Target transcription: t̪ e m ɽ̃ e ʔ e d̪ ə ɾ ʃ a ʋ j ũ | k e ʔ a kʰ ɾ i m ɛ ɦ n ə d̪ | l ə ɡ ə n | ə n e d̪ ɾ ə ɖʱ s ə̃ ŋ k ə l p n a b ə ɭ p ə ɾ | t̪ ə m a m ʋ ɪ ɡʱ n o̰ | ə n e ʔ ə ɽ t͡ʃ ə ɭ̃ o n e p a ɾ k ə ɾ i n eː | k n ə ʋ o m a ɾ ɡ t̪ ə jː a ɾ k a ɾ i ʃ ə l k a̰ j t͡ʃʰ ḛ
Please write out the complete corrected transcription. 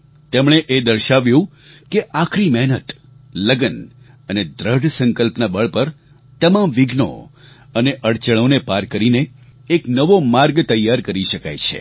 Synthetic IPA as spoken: t̪ e m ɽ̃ e ʔ e d̪ ə ɾ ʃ a ʋ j ũ | k e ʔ a kʰ ɾ i m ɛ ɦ n ə t̪ | l ə ɡ ə n | ə n e d̪ ɾ ə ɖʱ s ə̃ ŋ k ə l p n a b ə ɭ p ə ɾ | t̪ ə m a m ʋ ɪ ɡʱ n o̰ | ə n e ʔ ə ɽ t͡ʃ ə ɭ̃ o n e p a ɾ k ə ɾ i n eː | k n ə ʋ o m a ɾ ɡ t̪ ə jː a ɾ k ə ɾ i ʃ ə k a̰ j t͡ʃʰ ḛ